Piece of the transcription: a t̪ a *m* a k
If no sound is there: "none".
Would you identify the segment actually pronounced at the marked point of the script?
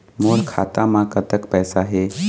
m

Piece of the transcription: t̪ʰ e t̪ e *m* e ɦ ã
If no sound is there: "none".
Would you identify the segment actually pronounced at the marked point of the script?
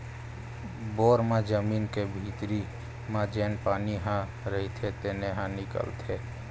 n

